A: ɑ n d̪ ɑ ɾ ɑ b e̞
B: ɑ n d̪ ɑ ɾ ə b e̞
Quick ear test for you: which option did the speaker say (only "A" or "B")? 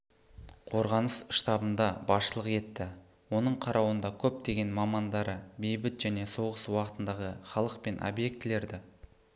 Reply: B